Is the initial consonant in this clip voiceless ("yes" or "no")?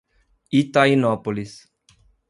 yes